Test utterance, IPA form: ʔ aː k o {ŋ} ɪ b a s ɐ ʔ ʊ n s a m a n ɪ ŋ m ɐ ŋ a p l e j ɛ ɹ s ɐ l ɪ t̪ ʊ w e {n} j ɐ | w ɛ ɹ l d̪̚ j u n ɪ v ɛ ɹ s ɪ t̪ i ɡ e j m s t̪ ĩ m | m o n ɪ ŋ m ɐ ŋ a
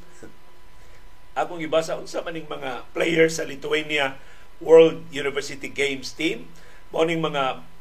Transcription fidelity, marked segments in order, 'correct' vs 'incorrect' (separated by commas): correct, correct